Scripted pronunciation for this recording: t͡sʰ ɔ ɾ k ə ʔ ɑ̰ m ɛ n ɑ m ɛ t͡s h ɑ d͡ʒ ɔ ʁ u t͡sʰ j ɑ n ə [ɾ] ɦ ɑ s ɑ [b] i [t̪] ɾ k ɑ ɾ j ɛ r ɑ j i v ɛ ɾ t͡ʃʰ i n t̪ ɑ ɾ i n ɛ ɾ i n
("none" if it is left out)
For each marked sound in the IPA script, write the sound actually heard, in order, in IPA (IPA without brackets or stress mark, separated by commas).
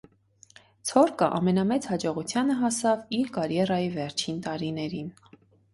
none, v, none